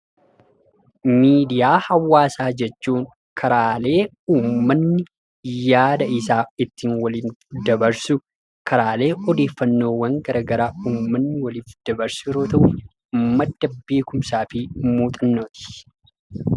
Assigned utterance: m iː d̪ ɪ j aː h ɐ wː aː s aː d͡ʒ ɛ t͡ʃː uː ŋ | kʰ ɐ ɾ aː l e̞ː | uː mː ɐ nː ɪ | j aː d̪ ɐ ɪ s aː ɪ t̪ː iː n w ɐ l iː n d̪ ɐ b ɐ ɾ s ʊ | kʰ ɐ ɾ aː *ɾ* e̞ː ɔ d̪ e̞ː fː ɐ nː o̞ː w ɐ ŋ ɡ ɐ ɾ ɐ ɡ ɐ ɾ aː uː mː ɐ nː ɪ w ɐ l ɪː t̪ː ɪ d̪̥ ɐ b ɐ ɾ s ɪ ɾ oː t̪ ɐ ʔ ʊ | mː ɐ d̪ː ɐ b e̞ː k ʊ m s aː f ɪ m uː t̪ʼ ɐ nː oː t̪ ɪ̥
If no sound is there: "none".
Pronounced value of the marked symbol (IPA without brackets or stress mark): l